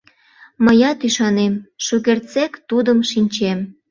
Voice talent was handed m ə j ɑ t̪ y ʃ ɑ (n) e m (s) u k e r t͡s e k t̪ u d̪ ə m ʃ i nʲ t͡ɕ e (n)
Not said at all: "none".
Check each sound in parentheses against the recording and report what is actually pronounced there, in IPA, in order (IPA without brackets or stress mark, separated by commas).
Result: n, ʃ, m